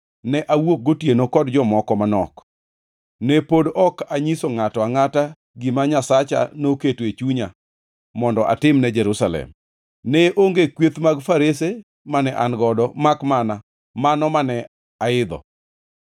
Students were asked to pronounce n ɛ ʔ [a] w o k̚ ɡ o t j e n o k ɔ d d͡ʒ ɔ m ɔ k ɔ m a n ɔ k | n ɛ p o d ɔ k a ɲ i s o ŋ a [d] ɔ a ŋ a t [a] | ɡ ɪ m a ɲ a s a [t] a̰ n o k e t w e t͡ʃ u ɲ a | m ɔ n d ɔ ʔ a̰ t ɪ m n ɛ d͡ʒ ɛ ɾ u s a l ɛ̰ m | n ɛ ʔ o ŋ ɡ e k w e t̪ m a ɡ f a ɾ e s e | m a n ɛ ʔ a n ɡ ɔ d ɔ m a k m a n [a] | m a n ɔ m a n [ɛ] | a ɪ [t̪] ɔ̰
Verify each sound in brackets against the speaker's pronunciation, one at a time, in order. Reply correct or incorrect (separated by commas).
correct, incorrect, correct, incorrect, correct, correct, incorrect